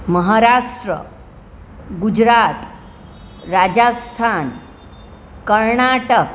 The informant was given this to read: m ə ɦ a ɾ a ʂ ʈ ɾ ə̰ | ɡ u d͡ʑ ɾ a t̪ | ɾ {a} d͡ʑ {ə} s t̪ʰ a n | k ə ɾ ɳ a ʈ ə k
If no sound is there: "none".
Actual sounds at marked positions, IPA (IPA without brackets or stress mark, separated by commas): a, a